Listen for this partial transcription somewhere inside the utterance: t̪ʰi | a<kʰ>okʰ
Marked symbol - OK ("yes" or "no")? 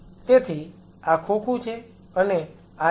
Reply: yes